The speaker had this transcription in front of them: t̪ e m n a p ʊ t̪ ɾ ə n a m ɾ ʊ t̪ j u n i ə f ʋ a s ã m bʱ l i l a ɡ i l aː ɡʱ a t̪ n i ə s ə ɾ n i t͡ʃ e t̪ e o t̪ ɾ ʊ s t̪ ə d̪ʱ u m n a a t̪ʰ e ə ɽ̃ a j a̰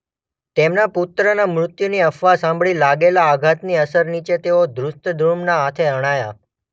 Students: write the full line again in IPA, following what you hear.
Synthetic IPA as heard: t̪ e m n a p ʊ t̪ ɾ ə n a m ɾ ʊ t̪ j u n i ə f ʋ a s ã m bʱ ɭ i l a ɡ e l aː ɡʱ a t̪ n i ə s ə ɾ n i t͡ʃ e t̪ e o d̪ ɾ ʊ s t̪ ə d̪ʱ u m n a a t̪ʰ e ə ɽ̃ a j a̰